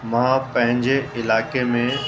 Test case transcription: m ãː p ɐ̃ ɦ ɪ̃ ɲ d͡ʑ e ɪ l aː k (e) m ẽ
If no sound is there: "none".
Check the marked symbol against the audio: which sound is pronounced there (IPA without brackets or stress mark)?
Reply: e